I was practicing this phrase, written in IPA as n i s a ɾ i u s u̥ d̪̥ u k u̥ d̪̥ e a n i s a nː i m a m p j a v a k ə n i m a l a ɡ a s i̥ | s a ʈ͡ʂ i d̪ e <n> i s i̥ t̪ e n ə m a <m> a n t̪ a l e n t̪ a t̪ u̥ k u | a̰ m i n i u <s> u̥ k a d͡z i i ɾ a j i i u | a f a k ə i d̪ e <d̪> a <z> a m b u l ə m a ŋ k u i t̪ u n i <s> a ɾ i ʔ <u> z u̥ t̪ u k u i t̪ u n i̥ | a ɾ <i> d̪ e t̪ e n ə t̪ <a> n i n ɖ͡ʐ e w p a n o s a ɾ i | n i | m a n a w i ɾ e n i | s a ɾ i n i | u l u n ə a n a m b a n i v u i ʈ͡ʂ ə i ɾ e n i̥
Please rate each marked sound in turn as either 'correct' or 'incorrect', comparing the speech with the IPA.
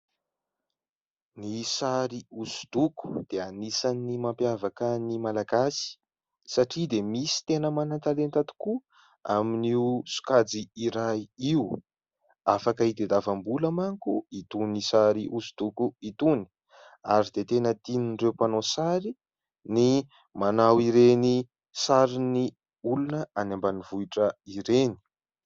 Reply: incorrect: m, incorrect: n, correct, correct, incorrect: v, correct, correct, correct, incorrect: i

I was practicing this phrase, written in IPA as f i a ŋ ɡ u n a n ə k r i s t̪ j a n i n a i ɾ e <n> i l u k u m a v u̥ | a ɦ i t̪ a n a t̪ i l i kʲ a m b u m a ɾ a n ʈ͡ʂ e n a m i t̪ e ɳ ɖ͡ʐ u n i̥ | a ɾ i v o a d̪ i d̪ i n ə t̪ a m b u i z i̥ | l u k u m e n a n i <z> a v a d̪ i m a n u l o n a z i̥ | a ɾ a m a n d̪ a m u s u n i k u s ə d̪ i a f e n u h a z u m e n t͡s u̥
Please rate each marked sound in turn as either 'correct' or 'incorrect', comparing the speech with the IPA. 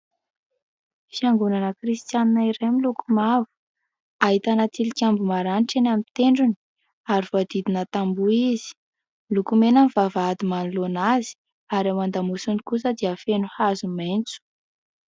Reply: incorrect: m, incorrect: v

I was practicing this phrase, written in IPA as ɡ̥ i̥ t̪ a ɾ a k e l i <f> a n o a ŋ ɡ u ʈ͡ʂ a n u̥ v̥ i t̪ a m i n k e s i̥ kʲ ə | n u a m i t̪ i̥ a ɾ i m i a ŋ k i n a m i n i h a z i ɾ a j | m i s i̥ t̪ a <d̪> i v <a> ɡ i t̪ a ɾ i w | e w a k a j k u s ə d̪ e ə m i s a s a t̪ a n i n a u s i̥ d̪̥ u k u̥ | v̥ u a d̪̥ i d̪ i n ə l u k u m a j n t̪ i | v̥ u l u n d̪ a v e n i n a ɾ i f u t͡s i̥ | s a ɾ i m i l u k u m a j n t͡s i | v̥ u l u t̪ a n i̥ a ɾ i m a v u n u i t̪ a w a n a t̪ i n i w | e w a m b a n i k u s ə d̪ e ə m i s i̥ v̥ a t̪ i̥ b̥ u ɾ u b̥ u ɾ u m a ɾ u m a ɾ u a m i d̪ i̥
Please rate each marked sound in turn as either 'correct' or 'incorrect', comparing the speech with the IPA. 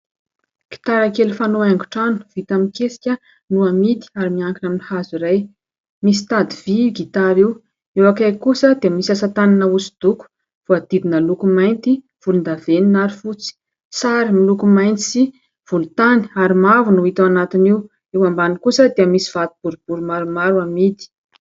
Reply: correct, correct, incorrect: i

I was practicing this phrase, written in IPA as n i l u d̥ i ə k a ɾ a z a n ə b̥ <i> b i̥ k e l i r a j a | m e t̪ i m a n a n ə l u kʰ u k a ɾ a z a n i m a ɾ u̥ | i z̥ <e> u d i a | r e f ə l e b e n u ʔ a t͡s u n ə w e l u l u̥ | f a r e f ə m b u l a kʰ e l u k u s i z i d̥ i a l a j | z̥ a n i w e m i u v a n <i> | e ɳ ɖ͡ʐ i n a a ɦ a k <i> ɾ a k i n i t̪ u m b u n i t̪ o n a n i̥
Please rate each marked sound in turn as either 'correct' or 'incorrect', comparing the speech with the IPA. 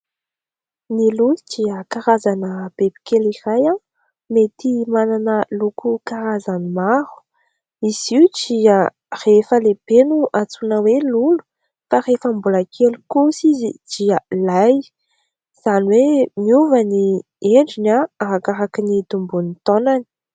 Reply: incorrect: e, incorrect: i, correct, incorrect: a

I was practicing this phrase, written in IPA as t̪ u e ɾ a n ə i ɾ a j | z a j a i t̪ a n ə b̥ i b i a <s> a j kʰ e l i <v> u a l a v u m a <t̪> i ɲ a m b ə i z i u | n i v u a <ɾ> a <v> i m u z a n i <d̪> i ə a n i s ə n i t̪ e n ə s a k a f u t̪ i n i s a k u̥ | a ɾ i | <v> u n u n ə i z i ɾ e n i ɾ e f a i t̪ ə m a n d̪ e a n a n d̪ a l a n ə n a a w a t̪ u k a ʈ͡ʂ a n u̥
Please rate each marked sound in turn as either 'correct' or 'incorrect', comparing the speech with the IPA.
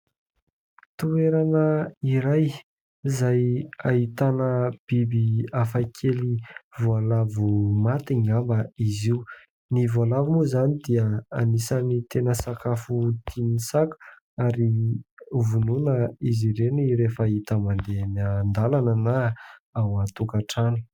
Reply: incorrect: f, correct, correct, incorrect: l, correct, correct, correct

